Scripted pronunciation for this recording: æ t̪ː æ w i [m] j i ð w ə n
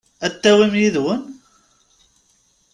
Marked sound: correct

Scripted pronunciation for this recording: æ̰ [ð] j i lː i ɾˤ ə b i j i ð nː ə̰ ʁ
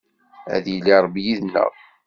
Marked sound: correct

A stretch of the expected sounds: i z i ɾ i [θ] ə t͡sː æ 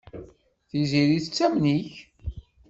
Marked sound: correct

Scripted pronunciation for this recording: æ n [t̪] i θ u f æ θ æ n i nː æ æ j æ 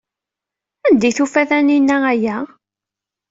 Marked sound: incorrect: d̪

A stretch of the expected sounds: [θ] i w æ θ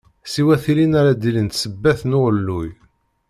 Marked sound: incorrect: s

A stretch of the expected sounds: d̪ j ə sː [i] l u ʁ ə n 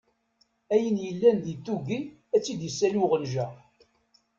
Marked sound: incorrect: æ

